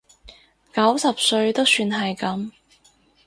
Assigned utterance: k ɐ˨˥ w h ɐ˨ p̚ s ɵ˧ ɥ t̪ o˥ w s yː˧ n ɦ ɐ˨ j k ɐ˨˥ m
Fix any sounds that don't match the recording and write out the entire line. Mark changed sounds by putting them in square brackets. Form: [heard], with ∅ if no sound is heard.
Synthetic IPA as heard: k ɐ˨˥ w [s] ɐ˨ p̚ s ɵ˧ ɥ t̪ o˥ w s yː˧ n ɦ ɐ˨ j k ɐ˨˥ m